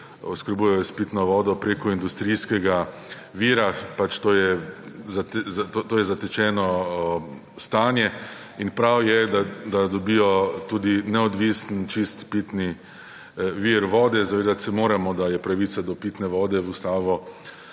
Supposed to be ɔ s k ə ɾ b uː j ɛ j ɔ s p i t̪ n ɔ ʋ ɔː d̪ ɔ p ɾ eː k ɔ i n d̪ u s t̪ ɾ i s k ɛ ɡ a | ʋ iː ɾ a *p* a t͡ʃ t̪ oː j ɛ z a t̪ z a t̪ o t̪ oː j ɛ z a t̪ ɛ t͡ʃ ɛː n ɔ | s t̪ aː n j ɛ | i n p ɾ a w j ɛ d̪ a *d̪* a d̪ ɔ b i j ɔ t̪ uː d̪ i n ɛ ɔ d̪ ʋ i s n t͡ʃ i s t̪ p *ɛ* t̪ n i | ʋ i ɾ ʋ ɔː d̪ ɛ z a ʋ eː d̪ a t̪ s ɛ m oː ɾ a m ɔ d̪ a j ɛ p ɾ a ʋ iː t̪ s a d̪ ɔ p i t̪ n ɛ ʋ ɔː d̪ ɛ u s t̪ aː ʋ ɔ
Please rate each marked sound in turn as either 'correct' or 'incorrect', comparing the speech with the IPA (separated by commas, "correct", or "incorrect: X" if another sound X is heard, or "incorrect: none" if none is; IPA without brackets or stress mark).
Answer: correct, correct, incorrect: i